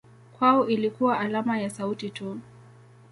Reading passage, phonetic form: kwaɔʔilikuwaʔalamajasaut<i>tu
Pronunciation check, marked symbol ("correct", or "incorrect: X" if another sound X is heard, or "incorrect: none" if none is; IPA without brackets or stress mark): correct